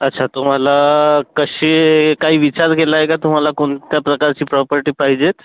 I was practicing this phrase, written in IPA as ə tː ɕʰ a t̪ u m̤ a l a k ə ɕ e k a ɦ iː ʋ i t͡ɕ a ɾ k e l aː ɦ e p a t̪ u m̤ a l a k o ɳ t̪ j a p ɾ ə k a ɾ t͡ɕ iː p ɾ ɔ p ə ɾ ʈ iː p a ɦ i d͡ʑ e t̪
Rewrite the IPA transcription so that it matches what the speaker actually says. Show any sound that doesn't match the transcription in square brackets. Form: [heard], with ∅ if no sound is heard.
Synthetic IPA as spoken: ə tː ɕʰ a t̪ u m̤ a l a k ə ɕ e k a ɦ iː ʋ i t͡ɕ a ɾ k e l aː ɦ e [k] a t̪ u m̤ a l a k o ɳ t̪ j a p ɾ ə k a ɾ t͡ɕ iː p ɾ ɔ p ə ɾ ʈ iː p a ɦ i d͡ʑ e t̪